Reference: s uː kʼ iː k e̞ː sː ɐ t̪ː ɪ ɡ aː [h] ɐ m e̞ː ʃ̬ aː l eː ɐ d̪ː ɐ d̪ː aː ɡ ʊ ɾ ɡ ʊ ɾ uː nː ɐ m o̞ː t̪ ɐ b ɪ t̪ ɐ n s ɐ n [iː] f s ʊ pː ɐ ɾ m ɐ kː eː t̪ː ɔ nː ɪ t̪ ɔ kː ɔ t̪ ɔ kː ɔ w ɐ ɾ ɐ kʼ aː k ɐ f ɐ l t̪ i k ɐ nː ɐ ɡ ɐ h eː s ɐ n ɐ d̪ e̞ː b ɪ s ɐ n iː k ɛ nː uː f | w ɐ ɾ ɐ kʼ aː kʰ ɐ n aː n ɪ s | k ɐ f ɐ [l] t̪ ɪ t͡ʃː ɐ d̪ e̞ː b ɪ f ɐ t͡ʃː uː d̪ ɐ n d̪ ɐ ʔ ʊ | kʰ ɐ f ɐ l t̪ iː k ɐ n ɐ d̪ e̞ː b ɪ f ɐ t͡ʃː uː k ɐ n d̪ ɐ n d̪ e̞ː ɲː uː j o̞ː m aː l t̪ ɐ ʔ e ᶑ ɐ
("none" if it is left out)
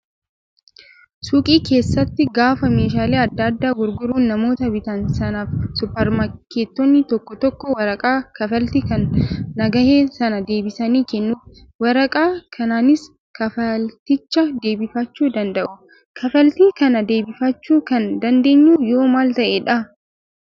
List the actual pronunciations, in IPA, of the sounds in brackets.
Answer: f, aː, l

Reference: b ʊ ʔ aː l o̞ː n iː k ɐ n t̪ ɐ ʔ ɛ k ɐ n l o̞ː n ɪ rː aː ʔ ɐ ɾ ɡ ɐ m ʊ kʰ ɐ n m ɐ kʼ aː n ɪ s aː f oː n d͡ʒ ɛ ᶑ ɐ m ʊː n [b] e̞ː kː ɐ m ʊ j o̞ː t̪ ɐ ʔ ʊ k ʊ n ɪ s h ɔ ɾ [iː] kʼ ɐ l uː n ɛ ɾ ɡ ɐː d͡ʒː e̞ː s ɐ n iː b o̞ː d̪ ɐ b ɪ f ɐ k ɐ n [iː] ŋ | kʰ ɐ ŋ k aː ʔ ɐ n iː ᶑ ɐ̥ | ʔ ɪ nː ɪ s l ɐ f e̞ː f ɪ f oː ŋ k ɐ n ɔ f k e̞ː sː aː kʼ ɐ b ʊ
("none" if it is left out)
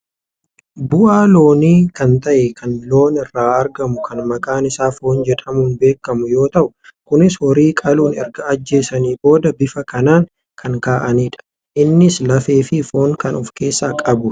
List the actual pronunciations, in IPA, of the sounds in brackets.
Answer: b, iː, aː

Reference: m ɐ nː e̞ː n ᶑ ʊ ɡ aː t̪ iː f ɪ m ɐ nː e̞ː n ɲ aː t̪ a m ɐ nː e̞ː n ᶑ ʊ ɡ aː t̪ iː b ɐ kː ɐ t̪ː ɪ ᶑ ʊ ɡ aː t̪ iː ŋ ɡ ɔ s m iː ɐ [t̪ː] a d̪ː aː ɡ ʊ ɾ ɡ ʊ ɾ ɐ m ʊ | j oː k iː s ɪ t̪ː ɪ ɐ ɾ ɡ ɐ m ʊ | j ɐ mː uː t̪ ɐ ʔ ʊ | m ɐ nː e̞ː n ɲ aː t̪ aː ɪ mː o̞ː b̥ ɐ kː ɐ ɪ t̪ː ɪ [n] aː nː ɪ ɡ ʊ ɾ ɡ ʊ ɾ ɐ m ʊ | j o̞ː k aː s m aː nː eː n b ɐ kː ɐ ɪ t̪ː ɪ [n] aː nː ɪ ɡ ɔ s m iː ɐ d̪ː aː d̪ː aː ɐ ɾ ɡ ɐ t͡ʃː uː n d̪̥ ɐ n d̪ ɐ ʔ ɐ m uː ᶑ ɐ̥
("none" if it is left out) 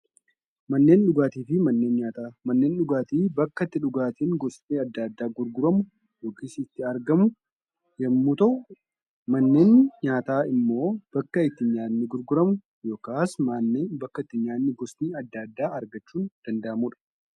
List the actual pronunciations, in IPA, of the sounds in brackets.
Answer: d̪ː, ɲ, ɲ

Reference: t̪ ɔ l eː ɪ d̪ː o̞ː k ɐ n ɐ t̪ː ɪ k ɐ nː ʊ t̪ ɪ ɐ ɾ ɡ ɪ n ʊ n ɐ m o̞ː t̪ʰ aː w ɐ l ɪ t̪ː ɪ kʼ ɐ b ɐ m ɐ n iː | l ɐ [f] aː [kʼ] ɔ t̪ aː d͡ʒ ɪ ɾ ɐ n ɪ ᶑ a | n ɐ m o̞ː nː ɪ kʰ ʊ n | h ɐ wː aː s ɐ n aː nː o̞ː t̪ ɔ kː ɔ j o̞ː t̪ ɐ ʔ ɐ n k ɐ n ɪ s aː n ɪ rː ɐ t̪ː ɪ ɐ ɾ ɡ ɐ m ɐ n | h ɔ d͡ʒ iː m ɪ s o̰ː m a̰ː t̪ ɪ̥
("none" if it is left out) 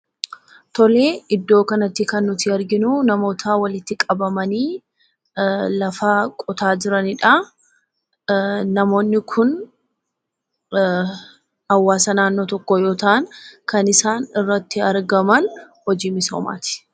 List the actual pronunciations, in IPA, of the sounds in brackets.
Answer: f, kʼ

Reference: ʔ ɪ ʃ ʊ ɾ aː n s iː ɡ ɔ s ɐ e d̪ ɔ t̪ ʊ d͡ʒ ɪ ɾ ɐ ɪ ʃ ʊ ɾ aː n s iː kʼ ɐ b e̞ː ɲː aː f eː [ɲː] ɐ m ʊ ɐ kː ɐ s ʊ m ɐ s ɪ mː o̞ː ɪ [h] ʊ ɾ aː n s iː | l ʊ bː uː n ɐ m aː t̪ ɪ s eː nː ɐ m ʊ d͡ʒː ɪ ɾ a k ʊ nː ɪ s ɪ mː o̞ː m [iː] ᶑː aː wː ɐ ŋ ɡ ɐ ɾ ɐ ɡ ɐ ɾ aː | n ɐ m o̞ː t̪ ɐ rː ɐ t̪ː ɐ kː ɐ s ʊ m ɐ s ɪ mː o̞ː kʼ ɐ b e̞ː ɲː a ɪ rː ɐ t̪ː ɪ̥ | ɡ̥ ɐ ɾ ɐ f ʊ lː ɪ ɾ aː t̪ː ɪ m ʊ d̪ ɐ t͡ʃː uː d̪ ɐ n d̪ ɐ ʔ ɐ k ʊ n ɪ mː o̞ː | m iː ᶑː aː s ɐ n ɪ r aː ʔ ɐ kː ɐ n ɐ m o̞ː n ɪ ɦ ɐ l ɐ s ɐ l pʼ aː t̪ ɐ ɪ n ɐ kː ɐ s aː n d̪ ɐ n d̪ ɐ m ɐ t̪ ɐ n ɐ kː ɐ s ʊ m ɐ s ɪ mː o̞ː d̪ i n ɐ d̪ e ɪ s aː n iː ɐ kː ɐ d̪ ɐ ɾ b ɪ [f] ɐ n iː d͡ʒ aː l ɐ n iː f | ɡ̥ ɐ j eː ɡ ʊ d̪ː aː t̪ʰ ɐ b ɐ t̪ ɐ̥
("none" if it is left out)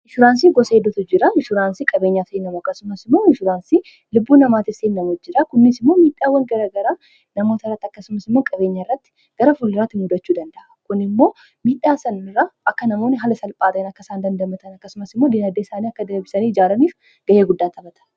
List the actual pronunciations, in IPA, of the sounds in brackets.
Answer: nː, ʃ, iː, s

